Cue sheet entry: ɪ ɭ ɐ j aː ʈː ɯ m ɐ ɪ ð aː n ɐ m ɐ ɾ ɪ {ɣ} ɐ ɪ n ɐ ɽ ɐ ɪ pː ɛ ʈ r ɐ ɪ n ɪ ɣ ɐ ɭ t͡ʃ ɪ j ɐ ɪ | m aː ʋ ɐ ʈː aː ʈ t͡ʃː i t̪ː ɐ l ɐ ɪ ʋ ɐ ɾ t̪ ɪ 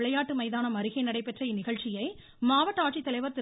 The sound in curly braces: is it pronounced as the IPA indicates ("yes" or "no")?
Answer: yes